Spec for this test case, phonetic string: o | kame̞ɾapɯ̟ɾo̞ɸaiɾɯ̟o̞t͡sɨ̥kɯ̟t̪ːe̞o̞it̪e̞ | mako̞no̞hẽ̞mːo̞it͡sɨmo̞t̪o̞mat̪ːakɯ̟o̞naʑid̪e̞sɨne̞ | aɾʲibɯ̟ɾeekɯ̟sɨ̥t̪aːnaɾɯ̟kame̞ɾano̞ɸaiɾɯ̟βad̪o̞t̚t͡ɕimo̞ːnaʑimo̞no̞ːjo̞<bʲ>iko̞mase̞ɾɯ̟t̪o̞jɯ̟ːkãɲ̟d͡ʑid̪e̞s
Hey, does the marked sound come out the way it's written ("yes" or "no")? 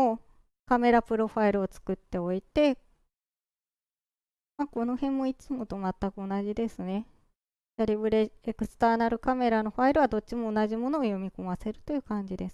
no